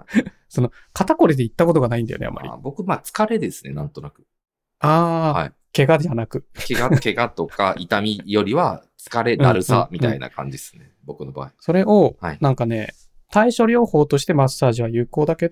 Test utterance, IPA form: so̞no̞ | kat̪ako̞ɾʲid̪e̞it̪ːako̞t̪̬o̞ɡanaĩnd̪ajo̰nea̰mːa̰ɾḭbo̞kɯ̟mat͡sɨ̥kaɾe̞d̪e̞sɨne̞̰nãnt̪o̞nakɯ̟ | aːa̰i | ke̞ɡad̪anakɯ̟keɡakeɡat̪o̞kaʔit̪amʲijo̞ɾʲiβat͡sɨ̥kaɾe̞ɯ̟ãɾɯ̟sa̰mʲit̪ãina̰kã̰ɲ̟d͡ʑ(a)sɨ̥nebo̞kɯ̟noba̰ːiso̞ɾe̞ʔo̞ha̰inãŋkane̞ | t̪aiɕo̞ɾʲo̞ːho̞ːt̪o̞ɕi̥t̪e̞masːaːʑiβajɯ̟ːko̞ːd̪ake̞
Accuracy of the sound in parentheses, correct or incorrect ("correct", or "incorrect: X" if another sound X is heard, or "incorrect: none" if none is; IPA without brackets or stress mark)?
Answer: incorrect: i